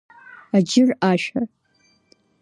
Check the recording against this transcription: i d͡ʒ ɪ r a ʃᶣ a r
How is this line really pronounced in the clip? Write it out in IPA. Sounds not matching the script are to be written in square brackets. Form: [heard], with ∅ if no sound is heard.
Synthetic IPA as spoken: [a] d͡ʒ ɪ r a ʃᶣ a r